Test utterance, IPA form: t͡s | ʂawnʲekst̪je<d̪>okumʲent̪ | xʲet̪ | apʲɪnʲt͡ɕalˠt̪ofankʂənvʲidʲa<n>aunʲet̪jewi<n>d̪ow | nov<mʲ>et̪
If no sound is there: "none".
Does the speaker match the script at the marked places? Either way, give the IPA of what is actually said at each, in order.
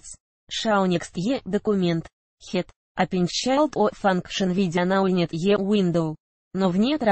d̪, n, n, nʲ

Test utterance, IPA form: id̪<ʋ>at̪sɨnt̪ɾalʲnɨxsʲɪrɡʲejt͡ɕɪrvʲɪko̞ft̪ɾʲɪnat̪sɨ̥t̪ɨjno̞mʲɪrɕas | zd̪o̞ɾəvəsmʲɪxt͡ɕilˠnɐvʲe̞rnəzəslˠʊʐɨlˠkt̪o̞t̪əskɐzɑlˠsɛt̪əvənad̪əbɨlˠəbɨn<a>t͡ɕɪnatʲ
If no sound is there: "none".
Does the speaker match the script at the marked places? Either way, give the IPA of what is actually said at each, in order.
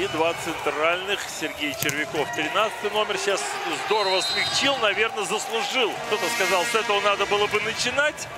v, ə

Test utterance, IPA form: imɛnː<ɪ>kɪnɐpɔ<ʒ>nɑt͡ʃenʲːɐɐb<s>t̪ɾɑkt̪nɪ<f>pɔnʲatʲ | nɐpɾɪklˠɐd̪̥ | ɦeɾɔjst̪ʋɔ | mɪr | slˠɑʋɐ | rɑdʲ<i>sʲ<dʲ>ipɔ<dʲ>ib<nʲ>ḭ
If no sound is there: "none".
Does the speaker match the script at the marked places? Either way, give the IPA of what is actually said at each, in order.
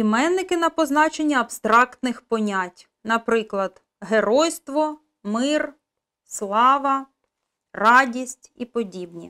ɪ, z, s, x, i, tʲ, dʲ, nʲ

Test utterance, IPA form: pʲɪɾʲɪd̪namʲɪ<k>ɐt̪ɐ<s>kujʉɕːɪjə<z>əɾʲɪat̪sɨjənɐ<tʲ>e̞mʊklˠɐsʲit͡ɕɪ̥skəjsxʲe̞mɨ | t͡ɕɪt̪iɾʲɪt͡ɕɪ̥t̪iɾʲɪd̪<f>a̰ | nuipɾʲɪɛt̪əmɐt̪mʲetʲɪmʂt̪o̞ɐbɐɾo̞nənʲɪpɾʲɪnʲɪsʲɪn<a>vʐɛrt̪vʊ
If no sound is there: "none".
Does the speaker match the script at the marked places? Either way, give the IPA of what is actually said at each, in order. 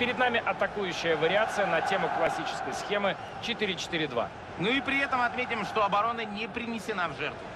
ʔ, none, v, tʲ, v, a

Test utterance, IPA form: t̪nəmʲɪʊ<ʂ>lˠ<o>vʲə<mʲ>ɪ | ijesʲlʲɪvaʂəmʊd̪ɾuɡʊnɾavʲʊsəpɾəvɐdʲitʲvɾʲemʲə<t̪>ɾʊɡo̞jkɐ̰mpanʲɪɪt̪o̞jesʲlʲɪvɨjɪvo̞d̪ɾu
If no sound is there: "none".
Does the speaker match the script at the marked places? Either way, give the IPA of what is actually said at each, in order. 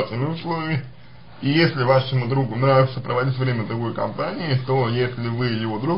s, o, mʲ, d̪

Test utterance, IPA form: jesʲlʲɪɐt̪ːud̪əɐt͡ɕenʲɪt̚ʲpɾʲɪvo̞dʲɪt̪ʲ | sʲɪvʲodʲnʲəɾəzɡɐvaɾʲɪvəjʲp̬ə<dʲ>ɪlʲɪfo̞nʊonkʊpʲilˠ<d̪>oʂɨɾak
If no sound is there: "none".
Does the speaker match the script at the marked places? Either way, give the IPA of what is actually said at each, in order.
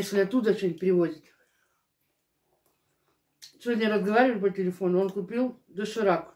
tʲ, d̪

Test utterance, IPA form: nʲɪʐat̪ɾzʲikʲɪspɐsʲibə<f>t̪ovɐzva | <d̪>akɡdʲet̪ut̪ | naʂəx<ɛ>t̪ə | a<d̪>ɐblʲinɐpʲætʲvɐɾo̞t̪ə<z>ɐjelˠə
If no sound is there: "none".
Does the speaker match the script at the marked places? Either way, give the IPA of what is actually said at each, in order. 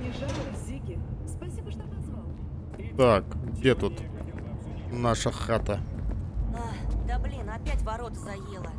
ʂ, t̪, a, d̪, z

